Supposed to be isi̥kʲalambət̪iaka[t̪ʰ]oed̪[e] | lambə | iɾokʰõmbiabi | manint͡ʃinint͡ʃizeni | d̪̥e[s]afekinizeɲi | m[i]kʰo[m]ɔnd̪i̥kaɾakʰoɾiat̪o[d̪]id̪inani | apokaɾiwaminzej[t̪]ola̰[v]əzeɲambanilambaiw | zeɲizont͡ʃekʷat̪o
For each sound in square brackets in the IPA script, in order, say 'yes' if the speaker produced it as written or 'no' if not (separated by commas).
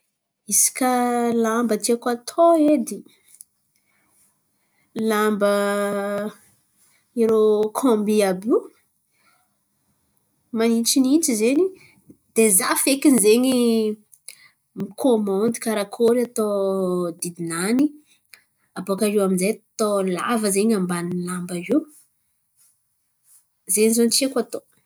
yes, no, no, yes, yes, yes, yes, yes